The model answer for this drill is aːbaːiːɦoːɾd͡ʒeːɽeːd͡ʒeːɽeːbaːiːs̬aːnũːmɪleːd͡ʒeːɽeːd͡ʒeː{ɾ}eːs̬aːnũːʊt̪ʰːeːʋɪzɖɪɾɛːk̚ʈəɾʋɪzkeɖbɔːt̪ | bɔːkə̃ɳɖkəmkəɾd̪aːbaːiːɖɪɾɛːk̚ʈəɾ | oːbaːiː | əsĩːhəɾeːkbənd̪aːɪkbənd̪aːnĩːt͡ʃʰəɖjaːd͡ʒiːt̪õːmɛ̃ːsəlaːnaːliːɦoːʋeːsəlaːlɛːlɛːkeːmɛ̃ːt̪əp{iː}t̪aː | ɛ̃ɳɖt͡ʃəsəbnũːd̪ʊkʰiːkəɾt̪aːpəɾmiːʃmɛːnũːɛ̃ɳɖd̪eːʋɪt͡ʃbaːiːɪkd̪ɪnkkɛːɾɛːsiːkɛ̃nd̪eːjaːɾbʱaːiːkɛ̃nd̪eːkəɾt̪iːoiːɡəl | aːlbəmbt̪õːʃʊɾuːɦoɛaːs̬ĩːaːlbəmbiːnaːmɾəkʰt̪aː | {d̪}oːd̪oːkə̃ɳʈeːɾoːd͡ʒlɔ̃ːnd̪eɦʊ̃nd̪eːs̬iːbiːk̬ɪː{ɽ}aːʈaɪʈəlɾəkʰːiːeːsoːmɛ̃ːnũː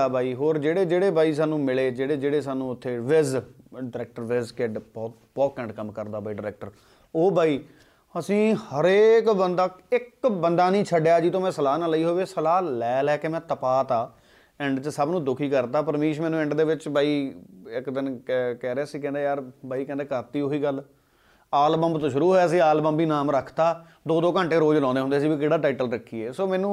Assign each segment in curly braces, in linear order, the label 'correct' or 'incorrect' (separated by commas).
incorrect, incorrect, correct, correct